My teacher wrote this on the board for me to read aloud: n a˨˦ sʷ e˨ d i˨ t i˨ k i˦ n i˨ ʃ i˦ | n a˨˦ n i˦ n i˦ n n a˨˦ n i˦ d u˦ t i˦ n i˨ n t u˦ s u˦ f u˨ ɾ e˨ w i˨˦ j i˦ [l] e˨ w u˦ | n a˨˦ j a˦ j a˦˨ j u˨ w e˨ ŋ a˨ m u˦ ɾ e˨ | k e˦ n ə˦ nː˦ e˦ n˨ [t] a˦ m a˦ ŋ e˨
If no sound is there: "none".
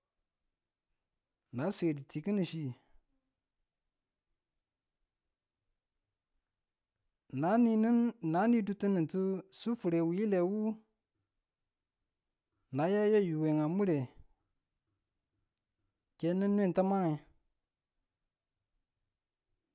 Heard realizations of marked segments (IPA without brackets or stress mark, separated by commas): l, t